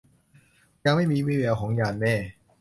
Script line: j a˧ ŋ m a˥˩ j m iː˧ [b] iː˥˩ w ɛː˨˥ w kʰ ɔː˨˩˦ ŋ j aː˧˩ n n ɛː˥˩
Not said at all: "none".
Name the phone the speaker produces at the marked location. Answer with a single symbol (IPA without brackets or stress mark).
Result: w